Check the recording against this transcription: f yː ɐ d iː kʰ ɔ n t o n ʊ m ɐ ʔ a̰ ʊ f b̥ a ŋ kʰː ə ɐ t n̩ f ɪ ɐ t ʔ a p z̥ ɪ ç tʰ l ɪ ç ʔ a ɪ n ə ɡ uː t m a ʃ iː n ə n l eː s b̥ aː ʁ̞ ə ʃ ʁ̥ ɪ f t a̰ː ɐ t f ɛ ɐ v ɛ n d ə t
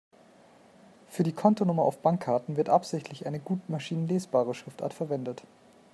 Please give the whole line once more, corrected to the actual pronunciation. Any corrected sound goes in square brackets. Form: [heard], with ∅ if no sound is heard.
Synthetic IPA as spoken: f yː ɐ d iː kʰ ɔ n t o n ʊ m ɐ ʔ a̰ ʊ f b̥ a ŋ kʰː [a] ɐ t n̩ [v] ɪ ɐ t ʔ a p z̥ ɪ ç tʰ l ɪ ç ʔ a ɪ n ə ɡ uː t m a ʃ iː n ə n l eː s b̥ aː ʁ̞ ə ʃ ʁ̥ ɪ f t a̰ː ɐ t f ɛ ɐ v ɛ n d ə t

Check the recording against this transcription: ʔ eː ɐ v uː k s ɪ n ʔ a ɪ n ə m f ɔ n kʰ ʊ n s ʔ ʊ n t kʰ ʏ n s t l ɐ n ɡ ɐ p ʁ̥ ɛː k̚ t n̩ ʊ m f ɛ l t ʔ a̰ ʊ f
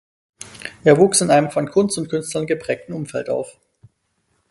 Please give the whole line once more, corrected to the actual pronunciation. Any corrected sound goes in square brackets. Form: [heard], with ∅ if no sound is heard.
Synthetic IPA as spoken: ʔ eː ɐ v uː k s ɪ n ʔ a ɪ n ə m f ɔ n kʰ ʊ n s [t] ʊ n t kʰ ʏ n s t l ɐ n ɡ [ə] p ʁ̥ ɛː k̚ t n̩ ʊ m f ɛ l t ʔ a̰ ʊ f

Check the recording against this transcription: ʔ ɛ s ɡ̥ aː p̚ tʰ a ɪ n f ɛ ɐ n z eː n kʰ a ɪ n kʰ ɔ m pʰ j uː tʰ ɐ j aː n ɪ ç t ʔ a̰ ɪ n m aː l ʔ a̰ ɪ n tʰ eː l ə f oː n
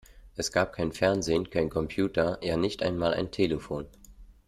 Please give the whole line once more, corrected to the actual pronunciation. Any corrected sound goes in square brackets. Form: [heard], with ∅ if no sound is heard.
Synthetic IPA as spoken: ʔ ɛ s ɡ̥ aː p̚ [kʰ] a ɪ n f ɛ ɐ n z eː n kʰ a ɪ n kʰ ɔ m pʰ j uː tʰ ɐ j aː n ɪ ç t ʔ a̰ ɪ n m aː l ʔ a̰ ɪ n tʰ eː l ə f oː n

